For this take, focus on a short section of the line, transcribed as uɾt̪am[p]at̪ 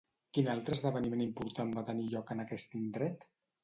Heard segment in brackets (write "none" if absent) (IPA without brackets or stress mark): b